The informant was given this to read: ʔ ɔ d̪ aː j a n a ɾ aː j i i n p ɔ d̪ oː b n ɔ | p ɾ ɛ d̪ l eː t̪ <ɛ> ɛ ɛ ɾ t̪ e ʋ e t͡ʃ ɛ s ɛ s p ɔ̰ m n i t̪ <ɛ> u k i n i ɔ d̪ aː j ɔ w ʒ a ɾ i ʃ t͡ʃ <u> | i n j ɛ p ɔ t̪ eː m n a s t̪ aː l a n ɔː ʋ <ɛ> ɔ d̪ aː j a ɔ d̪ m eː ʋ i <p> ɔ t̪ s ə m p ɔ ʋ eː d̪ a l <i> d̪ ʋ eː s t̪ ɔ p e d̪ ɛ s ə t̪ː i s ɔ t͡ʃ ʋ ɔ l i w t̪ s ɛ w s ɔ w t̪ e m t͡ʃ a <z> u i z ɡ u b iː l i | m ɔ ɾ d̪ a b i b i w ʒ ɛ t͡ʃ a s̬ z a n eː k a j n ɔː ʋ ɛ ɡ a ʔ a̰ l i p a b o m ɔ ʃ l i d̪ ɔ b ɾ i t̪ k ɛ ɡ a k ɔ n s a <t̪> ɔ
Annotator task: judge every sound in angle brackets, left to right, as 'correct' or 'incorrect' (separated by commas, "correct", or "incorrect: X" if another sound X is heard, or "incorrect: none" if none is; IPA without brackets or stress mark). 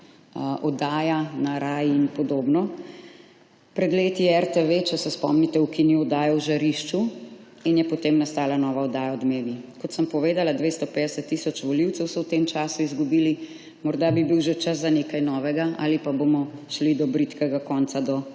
incorrect: i, correct, correct, incorrect: a, incorrect: k, incorrect: a, incorrect: s, incorrect: d̪